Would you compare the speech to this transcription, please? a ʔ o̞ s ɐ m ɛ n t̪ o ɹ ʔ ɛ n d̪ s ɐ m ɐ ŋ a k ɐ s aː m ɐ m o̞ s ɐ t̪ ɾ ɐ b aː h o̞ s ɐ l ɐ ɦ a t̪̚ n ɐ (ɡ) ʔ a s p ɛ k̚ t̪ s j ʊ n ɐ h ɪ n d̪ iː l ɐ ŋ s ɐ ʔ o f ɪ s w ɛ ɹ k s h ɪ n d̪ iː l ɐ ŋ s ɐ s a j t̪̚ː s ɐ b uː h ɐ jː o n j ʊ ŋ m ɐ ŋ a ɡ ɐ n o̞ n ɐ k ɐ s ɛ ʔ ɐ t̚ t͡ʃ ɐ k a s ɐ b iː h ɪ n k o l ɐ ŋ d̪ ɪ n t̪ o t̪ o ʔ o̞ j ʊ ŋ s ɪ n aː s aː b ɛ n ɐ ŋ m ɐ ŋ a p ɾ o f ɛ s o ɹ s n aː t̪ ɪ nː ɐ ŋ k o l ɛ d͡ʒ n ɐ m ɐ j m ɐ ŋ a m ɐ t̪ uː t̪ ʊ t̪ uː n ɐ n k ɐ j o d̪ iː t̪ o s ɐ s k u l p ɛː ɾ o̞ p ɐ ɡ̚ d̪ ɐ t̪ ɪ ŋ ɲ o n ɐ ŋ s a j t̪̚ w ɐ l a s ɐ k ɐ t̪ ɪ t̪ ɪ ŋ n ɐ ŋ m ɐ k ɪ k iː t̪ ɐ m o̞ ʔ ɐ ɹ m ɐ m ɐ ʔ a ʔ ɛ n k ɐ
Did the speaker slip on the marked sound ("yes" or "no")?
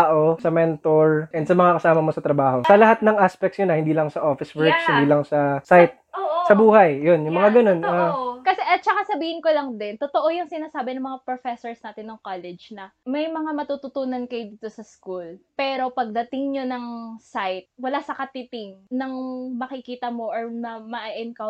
yes